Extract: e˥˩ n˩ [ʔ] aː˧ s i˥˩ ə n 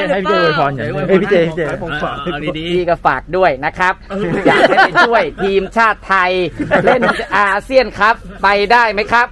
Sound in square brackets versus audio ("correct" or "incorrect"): correct